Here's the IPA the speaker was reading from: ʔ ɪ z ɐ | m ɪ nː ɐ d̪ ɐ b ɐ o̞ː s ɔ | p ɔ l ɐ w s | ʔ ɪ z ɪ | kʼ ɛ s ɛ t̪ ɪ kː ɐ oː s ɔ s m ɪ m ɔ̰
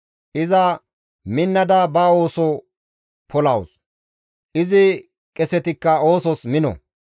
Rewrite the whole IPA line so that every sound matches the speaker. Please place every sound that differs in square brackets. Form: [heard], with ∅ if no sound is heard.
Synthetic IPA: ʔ ɪ z ɐ | m ɪ nː ɐ d̪ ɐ b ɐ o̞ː s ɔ | p ɔ l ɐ w s | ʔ ɪ z ɪ | kʼ ɛ s ɛ t̪ ɪ kː ɐ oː s ɔ s m ɪ [n] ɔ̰